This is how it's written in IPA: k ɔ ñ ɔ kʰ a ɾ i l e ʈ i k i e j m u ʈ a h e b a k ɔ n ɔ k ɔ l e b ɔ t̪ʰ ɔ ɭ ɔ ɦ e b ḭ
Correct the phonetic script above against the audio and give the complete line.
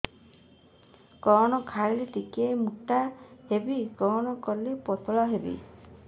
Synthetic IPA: k ɔ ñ ɔ kʰ a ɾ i l e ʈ i k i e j m u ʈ a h e b i k ɔ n ɔ k ɔ l e p ɔ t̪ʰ ɔ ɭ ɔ ɦ e b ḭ